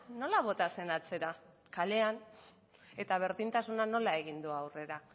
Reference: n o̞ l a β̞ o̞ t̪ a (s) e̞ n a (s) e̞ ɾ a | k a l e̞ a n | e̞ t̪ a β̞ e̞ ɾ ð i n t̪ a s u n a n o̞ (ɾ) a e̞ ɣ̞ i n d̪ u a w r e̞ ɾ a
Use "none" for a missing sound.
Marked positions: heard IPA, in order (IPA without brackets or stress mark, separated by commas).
s, t͡s, l